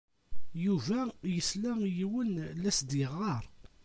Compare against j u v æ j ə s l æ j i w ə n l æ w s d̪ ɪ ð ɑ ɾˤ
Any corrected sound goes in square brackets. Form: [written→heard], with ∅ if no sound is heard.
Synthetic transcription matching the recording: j u v æ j ə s l æ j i w ə n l æ [w→∅] s d̪ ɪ [ð→ʁ] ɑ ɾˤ